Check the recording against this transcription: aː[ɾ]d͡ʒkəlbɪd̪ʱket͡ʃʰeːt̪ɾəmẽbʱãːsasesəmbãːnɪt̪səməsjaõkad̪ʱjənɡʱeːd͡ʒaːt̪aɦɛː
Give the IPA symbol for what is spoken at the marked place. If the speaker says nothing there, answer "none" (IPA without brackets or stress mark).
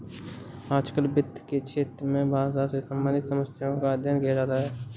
none